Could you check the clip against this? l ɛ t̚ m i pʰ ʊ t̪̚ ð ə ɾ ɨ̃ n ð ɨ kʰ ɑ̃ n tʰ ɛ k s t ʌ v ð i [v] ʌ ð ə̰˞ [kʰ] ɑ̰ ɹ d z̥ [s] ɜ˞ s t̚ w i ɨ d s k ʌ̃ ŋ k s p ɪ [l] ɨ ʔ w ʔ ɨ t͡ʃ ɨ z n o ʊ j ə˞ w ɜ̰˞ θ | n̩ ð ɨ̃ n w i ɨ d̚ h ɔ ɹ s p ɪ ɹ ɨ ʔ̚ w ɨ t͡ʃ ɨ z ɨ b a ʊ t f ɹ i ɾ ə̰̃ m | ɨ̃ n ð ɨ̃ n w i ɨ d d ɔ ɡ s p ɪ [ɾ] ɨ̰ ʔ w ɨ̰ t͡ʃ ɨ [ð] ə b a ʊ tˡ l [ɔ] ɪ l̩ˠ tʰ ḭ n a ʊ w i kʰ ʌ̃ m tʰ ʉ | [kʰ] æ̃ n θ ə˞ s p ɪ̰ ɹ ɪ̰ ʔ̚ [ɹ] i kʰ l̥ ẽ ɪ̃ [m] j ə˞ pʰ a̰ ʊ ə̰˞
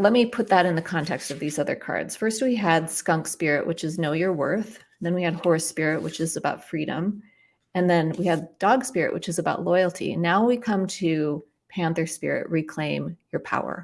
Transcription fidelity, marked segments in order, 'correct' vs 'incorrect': incorrect: z, correct, incorrect: f, incorrect: ɹ, incorrect: ɹ, incorrect: z, correct, incorrect: pʰ, correct, correct

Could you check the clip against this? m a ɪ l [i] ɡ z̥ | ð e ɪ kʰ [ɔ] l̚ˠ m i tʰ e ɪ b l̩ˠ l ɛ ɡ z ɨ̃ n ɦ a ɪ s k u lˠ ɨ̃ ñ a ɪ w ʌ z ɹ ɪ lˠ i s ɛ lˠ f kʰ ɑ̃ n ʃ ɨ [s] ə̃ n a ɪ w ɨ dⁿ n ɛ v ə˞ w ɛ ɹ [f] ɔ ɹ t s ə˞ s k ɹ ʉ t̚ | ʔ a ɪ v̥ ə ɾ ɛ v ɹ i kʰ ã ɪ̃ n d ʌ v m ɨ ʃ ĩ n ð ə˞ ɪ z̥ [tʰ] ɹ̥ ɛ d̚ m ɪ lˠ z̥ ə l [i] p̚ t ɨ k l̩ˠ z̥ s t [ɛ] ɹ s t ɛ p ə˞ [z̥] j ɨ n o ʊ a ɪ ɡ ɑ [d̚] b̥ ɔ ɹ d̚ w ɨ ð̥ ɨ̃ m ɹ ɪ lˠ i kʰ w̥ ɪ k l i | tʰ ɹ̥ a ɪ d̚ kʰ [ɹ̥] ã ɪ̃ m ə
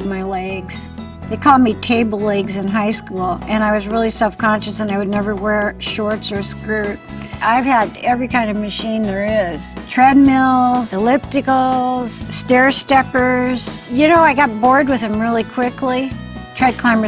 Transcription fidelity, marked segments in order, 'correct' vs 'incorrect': incorrect: ɛ, correct, correct, incorrect: ʃ, correct, incorrect: ɪ, correct, correct, incorrect: t̚, incorrect: l̥

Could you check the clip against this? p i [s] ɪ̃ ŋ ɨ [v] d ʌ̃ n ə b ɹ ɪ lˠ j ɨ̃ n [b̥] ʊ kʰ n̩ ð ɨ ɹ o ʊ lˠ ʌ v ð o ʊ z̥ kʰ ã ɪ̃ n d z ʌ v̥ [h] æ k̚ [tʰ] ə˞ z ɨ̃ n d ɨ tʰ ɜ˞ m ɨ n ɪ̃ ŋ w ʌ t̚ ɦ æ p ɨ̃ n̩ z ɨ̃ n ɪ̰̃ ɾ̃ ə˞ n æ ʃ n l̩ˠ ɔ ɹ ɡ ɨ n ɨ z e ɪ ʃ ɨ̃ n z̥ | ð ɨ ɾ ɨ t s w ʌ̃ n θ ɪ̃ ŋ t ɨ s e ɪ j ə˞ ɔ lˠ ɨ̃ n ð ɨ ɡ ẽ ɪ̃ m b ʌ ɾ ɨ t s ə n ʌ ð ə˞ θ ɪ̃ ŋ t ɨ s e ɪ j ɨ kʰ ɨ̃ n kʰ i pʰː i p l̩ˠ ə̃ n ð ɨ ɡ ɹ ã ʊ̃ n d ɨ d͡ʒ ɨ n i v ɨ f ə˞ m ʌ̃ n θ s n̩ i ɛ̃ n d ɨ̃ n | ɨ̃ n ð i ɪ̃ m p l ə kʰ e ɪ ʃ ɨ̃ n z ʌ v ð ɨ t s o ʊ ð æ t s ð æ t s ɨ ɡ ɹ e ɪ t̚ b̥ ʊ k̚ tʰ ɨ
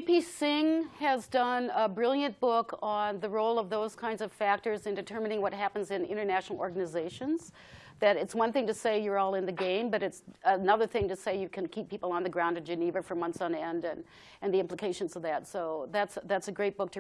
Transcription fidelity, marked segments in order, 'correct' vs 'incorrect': correct, incorrect: z, correct, incorrect: f, incorrect: t

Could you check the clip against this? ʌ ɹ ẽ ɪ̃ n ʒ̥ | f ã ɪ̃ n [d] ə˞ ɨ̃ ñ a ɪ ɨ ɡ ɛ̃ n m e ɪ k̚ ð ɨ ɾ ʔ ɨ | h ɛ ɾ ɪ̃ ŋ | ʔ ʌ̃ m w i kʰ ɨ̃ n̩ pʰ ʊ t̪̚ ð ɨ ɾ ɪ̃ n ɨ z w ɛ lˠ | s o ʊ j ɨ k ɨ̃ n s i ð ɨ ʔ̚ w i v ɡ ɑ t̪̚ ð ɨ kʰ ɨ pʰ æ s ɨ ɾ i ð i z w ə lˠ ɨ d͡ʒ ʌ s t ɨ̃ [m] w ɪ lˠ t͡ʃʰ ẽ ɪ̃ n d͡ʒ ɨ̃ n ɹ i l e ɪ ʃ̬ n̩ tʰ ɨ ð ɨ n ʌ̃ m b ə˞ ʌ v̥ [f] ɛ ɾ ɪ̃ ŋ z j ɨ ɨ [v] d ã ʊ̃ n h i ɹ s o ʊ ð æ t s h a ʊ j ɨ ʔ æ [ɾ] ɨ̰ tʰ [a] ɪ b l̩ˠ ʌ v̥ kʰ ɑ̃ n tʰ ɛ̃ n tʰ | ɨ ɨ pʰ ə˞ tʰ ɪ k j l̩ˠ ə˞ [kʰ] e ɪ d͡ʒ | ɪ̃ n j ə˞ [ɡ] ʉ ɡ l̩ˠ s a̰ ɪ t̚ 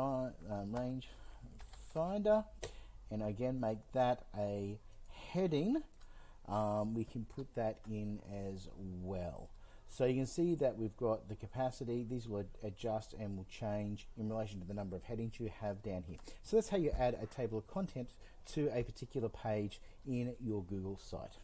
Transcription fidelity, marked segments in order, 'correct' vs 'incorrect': correct, incorrect: n, incorrect: h, correct, correct, incorrect: e, incorrect: pʰ, correct

